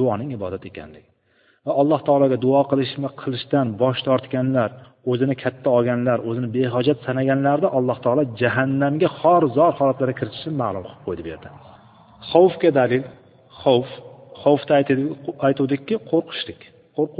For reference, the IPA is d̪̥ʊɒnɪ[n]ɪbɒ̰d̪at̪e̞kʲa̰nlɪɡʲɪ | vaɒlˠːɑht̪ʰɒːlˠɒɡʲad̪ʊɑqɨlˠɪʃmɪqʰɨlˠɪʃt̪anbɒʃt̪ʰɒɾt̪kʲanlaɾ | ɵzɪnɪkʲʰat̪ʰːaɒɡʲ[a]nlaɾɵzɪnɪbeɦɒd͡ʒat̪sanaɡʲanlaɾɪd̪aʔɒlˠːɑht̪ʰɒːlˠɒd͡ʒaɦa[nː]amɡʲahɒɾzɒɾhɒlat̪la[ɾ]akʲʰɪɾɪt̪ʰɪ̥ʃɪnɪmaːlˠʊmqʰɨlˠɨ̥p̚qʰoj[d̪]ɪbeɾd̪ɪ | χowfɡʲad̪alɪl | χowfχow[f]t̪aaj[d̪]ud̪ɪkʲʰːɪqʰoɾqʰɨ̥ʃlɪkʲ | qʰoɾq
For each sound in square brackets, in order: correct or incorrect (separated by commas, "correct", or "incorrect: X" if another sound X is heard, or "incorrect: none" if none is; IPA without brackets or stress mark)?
incorrect: ŋ, correct, correct, correct, correct, correct, incorrect: t̪